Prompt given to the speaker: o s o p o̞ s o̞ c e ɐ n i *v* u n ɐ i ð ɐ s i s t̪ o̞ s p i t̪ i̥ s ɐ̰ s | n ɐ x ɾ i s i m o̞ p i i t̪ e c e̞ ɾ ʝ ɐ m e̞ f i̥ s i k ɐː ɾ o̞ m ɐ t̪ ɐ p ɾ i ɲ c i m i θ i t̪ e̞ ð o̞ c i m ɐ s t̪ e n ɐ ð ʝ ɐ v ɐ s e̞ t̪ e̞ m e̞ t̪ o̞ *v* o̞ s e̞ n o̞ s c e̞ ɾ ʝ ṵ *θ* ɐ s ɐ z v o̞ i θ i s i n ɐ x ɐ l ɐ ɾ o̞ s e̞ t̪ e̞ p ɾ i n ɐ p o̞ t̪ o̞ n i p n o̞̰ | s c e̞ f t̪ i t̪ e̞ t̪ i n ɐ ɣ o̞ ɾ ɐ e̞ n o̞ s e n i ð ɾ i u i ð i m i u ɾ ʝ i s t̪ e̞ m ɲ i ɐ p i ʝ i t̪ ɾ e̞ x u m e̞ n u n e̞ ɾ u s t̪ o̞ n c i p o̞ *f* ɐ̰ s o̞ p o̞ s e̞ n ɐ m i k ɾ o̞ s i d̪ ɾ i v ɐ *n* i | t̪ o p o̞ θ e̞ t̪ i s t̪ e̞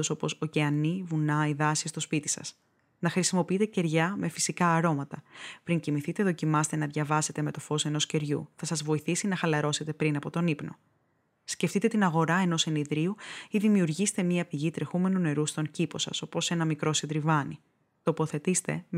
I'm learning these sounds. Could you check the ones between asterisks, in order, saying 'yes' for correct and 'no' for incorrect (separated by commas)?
yes, no, yes, no, yes